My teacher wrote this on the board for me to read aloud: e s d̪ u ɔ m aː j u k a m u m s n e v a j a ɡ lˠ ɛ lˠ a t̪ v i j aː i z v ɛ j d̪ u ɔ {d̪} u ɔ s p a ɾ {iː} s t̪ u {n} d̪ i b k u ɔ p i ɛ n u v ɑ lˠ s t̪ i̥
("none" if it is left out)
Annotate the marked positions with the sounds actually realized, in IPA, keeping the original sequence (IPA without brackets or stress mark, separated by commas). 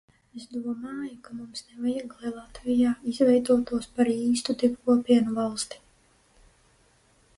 t̪, iː, none